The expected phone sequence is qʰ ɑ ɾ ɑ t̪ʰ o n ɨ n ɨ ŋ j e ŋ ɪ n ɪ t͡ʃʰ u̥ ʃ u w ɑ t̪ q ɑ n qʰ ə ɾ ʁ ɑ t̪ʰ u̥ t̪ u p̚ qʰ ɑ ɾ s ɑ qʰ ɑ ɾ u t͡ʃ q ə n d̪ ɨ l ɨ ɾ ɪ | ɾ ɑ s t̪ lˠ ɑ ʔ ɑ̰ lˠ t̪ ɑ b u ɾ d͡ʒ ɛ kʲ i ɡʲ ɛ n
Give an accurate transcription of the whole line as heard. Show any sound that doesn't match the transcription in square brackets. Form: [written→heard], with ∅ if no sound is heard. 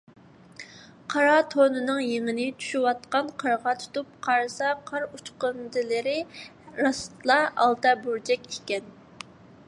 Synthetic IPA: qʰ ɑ ɾ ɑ t̪ʰ o n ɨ n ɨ ŋ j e ŋ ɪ n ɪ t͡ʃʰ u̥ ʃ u w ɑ t̪ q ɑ n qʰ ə ɾ ʁ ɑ t̪ʰ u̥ t̪ u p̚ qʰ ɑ ɾ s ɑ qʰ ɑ ɾ u t͡ʃ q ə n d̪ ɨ l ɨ ɾ ɪ | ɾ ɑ s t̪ lˠ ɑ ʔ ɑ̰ lˠ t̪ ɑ b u ɾ d͡ʒ ɛ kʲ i [ɡʲ→kʲ] ɛ n